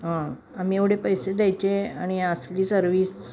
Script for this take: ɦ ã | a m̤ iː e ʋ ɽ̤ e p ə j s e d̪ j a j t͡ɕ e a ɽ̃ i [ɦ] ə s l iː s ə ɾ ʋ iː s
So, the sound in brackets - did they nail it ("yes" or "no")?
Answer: no